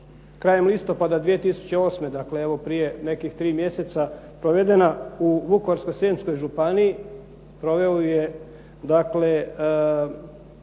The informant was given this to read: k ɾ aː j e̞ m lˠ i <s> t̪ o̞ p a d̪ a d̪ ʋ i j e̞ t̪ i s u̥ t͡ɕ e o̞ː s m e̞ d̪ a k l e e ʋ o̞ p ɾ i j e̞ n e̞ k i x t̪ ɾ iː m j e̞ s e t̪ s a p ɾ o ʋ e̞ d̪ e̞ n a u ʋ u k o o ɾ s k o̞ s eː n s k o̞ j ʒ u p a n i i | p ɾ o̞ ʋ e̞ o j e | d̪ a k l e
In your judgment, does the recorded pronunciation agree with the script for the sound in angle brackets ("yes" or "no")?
yes